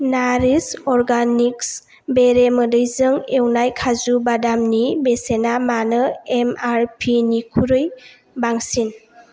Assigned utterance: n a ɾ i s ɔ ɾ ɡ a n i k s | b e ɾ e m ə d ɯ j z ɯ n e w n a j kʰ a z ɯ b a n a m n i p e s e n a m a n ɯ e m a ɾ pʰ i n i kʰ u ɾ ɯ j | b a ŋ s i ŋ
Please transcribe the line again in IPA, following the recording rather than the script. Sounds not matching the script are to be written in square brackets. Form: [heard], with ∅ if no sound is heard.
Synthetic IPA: n a ɾ i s ɔ ɾ ɡ a n i k s | b e ɾ e m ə d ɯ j z ɯ [ŋ] e w n a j kʰ a z [u] b a [d] a m n i [b] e s e n a m a n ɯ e m a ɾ pʰ i n i kʰ u ɾ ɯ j | b a ŋ s i [n]